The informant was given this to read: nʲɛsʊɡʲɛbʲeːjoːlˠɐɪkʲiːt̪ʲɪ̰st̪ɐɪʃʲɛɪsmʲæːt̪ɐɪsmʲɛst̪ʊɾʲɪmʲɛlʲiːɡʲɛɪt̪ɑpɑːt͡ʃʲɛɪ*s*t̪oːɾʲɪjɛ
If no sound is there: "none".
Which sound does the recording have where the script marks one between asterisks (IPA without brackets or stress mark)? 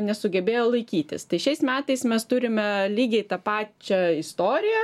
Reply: s